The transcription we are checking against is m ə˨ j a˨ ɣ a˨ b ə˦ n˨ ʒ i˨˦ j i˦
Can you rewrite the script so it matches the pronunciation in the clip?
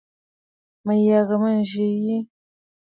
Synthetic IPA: m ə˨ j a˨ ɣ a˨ m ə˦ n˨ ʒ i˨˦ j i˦